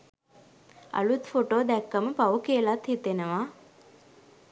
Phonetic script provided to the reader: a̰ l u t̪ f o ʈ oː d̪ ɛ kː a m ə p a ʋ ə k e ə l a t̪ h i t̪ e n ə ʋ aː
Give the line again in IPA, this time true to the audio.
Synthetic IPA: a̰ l u t̪ f o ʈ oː d̪ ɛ kː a m ə p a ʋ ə k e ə l a t̪ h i t̪ e n ə ʋ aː